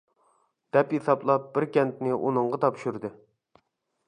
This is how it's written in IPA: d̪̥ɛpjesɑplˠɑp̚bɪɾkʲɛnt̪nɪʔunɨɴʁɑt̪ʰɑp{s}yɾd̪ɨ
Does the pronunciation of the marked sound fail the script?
yes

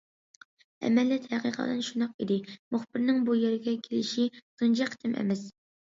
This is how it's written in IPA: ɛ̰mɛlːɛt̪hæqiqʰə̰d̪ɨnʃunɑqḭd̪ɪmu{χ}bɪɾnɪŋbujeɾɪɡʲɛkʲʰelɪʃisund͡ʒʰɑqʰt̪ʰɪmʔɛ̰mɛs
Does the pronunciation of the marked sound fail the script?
no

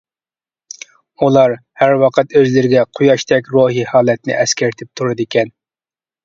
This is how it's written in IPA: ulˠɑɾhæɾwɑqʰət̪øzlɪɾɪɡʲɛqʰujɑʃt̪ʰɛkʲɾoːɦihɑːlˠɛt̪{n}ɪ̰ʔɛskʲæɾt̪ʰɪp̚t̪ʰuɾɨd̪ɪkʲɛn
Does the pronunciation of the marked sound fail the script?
no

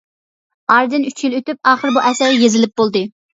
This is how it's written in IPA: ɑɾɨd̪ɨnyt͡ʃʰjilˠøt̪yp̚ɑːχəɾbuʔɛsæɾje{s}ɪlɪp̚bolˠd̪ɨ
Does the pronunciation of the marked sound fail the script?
yes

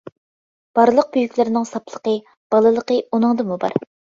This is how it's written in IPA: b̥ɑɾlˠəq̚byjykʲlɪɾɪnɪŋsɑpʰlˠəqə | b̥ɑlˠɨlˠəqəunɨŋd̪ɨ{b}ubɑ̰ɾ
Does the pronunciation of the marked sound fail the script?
yes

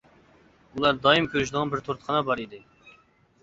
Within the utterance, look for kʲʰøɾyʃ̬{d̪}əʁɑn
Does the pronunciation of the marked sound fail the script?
no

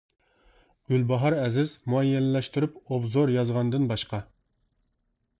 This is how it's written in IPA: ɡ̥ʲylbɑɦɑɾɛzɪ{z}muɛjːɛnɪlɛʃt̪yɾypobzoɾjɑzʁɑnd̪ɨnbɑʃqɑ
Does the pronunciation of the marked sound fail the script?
no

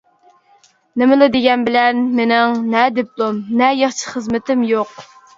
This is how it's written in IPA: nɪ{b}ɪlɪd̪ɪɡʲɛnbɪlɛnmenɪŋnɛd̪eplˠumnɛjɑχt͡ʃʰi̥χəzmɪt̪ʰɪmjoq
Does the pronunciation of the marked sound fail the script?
yes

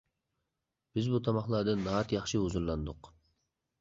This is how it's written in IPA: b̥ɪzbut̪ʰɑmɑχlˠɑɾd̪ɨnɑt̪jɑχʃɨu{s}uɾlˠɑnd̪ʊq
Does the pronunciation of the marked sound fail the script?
yes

